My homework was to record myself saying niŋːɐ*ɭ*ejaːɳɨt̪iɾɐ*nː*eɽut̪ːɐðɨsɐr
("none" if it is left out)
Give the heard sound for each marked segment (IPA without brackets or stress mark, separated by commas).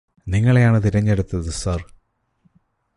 ɭ, ɲː